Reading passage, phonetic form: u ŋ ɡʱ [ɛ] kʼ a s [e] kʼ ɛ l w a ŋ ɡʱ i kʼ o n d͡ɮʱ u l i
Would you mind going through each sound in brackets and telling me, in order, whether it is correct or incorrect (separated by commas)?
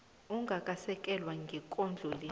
incorrect, incorrect